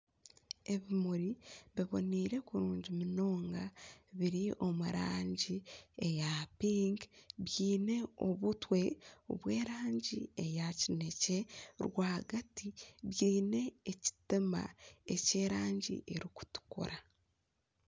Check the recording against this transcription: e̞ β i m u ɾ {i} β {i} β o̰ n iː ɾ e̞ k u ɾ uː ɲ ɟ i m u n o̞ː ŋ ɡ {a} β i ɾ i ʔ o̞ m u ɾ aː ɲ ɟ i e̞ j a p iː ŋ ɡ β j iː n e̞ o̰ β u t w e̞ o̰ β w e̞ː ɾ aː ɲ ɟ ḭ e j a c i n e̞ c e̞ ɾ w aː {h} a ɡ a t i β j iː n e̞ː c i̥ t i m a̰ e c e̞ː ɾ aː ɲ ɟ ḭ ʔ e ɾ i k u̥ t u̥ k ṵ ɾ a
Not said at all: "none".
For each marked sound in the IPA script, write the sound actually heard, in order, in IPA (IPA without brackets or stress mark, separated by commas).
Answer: i, i, a, h